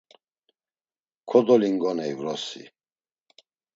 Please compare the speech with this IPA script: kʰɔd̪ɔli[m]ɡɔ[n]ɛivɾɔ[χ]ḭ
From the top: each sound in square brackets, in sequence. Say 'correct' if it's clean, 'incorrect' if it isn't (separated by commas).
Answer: incorrect, correct, incorrect